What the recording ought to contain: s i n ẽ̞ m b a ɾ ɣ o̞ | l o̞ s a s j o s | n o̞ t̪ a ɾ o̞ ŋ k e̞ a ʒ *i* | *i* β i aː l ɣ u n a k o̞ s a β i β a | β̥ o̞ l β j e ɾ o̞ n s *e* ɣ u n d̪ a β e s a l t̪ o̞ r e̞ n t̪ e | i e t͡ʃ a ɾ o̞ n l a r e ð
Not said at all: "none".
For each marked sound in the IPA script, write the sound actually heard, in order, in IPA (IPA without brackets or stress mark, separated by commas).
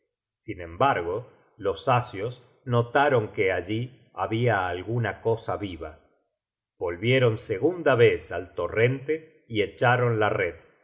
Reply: i, a, e